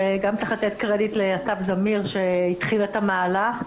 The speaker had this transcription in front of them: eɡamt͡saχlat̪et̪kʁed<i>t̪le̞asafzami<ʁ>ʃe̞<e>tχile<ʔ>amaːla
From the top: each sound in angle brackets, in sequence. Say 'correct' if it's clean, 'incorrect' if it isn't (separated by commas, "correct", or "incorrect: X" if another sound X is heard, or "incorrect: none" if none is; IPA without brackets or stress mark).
correct, correct, incorrect: i, incorrect: t